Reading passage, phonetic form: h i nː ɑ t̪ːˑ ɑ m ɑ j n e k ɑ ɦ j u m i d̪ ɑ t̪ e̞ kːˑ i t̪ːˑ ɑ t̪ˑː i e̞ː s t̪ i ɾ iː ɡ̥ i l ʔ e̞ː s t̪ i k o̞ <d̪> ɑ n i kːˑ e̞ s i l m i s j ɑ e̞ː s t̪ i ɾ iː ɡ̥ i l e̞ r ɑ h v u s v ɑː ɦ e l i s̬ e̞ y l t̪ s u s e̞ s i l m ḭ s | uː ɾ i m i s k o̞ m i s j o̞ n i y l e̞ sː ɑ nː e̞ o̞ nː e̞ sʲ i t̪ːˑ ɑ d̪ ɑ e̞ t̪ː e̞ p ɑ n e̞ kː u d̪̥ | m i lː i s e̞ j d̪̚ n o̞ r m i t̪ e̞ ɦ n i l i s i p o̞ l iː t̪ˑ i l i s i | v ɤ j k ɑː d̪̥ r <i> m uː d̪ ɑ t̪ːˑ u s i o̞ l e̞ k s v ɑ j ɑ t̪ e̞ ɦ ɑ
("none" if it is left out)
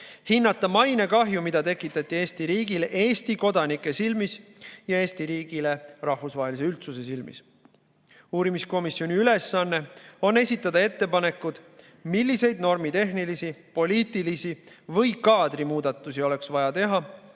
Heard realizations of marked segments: d̪, i

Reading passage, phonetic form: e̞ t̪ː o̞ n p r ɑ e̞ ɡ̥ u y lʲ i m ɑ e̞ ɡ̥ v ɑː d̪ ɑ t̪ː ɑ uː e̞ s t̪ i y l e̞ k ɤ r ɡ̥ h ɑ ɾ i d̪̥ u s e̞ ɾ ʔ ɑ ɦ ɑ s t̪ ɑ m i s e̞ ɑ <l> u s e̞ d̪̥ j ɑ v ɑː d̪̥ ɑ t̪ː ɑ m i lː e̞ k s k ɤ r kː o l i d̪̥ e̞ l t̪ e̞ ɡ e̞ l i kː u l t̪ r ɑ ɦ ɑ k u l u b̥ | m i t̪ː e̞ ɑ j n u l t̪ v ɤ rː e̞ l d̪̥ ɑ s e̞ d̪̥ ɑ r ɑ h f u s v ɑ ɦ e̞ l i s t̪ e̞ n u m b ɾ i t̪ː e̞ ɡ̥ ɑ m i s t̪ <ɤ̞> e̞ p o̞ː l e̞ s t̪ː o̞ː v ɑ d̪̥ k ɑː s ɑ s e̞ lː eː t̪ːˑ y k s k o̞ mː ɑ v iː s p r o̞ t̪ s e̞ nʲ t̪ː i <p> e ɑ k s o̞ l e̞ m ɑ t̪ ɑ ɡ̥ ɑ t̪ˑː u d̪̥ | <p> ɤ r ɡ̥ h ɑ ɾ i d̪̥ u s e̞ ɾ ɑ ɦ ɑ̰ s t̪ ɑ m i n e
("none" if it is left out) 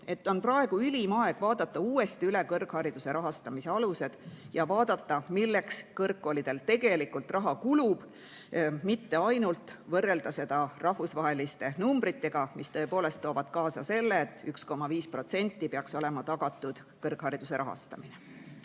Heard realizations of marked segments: l, ɤ̞, p, k

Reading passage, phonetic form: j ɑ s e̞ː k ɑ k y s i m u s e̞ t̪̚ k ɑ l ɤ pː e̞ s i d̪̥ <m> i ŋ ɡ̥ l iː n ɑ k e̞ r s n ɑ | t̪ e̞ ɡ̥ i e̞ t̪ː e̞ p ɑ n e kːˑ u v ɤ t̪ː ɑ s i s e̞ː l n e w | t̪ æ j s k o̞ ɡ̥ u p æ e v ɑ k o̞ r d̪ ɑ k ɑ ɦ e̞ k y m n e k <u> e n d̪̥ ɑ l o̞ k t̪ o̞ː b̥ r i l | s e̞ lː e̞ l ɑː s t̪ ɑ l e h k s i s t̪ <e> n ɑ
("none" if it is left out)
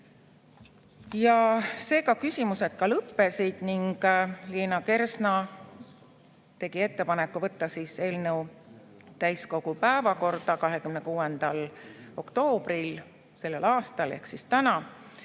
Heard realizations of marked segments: n, uː, æ

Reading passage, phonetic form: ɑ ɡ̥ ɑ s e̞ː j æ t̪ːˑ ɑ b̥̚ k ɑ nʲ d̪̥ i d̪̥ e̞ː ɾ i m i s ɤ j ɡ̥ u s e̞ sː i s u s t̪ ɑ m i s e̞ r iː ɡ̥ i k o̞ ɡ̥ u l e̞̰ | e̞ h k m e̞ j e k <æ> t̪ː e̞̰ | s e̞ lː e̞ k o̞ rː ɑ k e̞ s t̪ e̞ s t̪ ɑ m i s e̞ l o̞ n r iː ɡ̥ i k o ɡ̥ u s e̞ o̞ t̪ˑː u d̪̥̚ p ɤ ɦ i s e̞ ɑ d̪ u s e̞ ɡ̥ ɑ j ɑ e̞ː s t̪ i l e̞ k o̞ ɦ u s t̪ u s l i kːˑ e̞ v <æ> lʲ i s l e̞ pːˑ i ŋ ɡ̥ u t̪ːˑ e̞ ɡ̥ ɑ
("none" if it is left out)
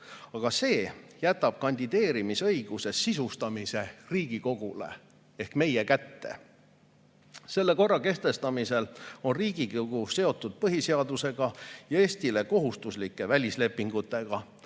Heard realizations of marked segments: æ, æ

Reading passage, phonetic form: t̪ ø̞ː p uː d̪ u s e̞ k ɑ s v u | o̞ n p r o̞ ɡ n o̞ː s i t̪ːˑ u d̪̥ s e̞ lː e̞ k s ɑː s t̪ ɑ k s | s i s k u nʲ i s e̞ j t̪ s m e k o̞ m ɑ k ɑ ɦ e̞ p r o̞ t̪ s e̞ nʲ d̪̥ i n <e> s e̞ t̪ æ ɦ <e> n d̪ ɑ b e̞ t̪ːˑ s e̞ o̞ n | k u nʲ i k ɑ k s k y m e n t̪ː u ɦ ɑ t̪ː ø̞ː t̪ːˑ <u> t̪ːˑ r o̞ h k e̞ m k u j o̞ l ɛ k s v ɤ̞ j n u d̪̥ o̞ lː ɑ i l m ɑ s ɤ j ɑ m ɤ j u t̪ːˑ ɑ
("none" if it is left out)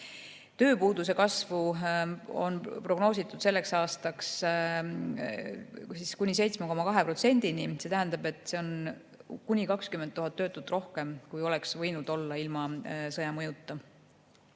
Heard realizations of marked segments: i, æ, u

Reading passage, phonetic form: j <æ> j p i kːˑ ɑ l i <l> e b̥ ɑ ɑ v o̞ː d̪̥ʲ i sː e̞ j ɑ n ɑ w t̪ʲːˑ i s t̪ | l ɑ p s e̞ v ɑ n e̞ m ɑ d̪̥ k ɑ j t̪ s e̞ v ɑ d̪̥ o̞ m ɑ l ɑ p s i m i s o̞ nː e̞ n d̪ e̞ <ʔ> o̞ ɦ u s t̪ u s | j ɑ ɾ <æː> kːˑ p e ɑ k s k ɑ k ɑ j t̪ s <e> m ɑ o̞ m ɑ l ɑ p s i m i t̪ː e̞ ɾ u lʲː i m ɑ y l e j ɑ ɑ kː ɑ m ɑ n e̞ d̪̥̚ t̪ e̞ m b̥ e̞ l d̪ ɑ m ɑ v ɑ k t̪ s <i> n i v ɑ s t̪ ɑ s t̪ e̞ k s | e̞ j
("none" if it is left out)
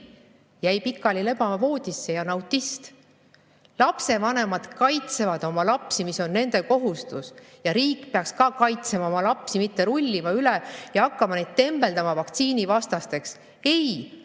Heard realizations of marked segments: æ, l, k, iː, e, iː

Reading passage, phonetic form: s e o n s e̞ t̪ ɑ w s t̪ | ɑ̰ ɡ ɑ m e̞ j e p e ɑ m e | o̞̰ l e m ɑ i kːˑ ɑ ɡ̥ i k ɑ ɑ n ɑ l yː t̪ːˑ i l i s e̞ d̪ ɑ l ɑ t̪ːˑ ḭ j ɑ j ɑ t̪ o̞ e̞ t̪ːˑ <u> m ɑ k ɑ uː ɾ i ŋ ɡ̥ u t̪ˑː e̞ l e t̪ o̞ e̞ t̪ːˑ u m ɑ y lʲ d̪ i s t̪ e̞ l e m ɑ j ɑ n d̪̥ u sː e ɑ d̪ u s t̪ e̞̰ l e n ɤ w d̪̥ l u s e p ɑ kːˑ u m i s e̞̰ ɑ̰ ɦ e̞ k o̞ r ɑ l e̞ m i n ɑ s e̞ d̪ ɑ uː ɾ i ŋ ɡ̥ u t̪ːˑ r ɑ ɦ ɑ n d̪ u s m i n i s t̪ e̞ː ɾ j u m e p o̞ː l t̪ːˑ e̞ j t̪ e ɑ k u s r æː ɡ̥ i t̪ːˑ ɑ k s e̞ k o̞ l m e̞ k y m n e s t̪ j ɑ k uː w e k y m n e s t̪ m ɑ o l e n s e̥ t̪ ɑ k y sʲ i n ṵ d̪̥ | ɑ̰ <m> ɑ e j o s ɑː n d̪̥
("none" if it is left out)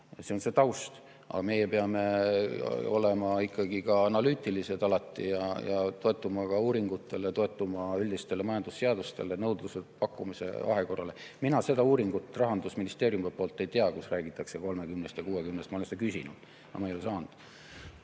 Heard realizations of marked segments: u, m

